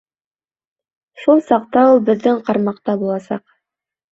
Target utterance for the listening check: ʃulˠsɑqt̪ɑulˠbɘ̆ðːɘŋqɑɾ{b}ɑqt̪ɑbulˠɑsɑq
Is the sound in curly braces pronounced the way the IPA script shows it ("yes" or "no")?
no